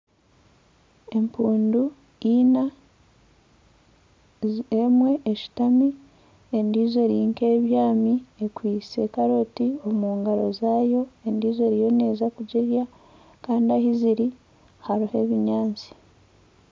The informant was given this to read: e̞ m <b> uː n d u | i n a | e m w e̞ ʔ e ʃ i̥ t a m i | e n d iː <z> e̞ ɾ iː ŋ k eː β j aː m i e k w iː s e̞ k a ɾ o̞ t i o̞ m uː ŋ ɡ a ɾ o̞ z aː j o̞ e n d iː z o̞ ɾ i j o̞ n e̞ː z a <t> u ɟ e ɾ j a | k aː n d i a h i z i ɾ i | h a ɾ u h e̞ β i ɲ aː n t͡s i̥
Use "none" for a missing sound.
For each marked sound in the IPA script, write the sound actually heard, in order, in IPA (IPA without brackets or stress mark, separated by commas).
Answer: p, z, k